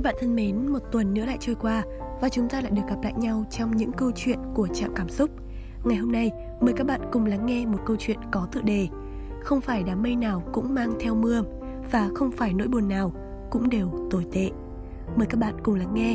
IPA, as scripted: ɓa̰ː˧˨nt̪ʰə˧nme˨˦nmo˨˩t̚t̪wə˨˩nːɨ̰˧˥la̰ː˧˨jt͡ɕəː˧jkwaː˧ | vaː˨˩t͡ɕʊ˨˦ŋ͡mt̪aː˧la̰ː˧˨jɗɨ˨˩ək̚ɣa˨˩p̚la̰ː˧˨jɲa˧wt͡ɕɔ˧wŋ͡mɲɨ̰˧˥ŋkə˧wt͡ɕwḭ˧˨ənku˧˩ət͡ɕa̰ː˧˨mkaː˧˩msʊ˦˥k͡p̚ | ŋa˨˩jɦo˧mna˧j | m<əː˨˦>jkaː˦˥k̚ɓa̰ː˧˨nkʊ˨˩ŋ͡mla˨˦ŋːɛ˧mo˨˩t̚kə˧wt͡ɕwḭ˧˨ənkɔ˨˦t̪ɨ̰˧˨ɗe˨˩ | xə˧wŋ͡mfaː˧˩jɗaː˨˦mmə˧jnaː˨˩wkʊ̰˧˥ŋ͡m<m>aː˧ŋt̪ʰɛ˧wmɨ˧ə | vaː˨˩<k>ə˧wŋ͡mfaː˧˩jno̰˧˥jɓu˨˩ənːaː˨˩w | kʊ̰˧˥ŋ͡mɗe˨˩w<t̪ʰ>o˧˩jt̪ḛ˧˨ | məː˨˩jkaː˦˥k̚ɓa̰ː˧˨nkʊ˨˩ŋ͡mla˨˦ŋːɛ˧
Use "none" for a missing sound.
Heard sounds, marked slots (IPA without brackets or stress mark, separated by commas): əː˨˩, m, x, t̪